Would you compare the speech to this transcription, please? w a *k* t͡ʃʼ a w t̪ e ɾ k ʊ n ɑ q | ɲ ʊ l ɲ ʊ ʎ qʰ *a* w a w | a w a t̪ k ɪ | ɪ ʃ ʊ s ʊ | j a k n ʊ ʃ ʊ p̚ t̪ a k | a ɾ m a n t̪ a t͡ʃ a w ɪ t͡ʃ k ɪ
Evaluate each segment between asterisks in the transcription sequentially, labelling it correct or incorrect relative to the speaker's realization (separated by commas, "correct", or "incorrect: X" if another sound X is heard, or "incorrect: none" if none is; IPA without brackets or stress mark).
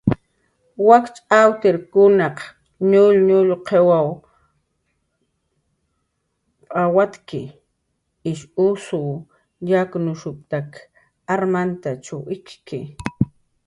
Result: correct, incorrect: e